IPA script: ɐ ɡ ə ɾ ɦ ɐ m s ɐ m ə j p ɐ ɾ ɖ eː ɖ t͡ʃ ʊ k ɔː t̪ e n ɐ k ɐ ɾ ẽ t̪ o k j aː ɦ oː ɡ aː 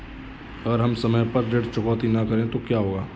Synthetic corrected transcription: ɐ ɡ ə ɾ ɦ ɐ m s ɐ m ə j p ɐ ɾ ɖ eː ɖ t͡ʃ ʊ k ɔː t̪ i n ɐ k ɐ ɾ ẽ t̪ o k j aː ɦ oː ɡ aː